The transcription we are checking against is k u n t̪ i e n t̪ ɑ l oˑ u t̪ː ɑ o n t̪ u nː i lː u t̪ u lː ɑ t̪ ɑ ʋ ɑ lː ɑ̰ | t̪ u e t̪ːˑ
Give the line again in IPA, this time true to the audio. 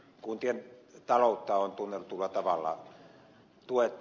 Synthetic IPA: k u n t̪ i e n t̪ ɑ l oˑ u t̪ː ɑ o n t̪ u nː e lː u t̪ u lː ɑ t̪ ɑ ʋ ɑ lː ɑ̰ | t̪ u e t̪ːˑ